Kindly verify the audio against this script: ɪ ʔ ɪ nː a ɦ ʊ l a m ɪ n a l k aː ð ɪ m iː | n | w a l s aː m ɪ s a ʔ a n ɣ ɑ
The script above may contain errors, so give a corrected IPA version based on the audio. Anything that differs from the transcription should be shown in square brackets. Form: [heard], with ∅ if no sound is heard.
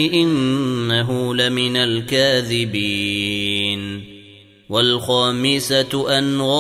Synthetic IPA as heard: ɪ ʔ ɪ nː a ɦ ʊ l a m ɪ n a l k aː ð ɪ [b] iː | n | w a l [x] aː m ɪ s a ʔ a n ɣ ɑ